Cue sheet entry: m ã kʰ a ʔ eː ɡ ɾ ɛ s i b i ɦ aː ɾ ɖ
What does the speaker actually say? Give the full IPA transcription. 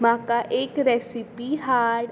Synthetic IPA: m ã k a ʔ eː k ɾ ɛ s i p i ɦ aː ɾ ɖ